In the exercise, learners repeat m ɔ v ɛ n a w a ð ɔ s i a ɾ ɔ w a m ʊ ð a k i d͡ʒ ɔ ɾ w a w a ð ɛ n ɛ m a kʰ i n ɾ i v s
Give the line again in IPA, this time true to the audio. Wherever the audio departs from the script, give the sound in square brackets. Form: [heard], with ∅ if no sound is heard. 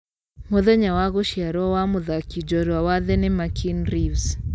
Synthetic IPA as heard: m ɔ [ð] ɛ [ɲ] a w a [ɣ] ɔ [ʃ] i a ɾ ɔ w a m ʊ ð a k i d͡ʒ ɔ ɾ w a w a ð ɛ n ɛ m a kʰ i n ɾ i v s